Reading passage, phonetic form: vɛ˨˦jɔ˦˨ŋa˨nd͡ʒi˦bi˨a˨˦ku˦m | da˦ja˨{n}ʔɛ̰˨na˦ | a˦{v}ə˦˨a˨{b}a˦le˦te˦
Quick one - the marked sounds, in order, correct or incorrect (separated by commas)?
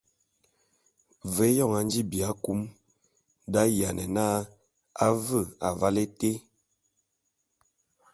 correct, correct, incorrect